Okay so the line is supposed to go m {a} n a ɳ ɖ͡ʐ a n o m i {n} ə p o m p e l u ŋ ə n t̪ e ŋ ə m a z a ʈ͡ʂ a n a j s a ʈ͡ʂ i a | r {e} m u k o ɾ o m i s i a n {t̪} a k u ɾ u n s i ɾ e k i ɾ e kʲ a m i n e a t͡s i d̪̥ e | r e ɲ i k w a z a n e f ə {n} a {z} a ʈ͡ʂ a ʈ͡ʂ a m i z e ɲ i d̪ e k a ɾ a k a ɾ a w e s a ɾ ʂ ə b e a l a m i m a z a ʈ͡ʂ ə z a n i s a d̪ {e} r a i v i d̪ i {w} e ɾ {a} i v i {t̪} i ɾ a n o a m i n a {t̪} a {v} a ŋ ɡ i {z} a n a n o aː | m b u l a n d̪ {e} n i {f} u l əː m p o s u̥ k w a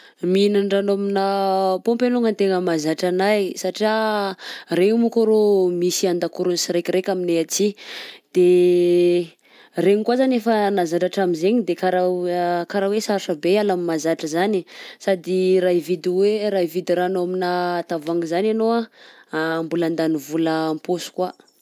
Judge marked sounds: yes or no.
no, yes, yes, no, yes, yes, no, yes, yes, no, yes, yes, yes, no, no

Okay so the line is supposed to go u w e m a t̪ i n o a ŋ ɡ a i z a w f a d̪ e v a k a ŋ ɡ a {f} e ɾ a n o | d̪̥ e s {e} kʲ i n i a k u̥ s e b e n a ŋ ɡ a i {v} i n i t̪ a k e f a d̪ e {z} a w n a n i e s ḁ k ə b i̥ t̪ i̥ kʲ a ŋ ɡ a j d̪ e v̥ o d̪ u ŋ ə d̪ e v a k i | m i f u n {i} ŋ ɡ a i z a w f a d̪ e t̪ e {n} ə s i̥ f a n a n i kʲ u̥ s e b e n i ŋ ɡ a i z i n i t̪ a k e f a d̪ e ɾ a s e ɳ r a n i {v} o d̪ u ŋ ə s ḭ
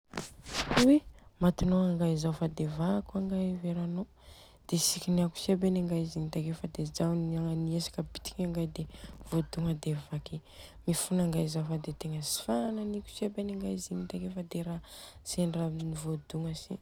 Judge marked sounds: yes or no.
no, no, no, yes, no, no, yes

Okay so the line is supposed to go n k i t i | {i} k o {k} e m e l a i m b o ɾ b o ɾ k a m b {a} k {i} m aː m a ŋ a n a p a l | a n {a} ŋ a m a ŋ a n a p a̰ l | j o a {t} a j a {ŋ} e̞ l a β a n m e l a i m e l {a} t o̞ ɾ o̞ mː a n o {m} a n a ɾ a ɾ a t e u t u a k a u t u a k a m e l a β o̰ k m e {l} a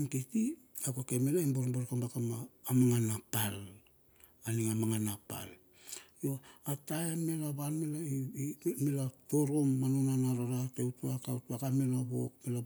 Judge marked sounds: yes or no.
no, yes, yes, no, no, yes, no, yes, no, yes

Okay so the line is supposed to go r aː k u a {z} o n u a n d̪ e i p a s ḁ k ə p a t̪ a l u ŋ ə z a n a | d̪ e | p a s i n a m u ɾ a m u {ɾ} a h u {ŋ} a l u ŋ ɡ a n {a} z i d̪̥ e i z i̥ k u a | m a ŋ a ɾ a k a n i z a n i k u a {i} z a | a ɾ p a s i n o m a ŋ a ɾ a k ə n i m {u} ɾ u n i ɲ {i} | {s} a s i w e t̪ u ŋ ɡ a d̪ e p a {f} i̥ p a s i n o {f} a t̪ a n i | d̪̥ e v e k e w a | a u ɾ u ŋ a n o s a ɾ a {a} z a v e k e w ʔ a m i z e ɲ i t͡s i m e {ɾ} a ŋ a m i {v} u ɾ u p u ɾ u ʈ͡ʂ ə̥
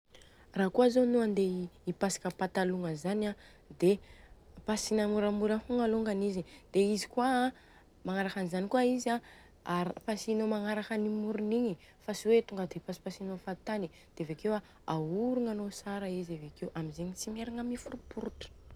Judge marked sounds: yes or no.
yes, yes, yes, no, yes, yes, yes, no, no, yes, no, yes, no

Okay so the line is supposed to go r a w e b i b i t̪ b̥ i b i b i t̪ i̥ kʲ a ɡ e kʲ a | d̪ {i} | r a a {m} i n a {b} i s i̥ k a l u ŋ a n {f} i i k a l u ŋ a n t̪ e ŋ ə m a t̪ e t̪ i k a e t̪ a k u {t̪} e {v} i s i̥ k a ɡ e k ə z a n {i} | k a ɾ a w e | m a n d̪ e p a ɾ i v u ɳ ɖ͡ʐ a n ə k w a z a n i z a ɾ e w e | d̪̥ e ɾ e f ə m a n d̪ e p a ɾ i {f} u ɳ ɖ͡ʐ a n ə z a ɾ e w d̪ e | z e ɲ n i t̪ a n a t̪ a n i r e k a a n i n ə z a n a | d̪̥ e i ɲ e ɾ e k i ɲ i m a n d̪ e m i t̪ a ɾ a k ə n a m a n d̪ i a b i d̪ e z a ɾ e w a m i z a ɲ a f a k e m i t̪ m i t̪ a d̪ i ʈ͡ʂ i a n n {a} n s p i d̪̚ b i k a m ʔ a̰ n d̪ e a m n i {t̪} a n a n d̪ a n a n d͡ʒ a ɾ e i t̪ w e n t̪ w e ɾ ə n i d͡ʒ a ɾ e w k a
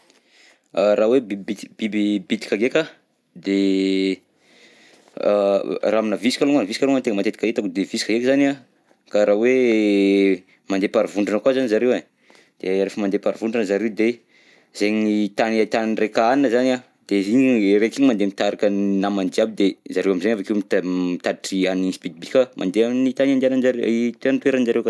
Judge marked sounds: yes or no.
no, yes, no, no, no, yes, no, no, no, yes

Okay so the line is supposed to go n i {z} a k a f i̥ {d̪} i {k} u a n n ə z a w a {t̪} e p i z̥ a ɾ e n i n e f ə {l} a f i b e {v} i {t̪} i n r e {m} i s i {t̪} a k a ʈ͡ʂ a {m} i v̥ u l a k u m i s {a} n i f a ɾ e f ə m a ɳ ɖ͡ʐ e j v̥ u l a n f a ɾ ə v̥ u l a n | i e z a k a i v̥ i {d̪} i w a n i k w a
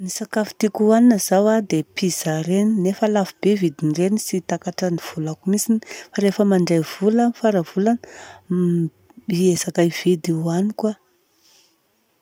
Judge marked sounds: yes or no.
no, no, yes, no, yes, yes, no, no, yes, no, no, yes

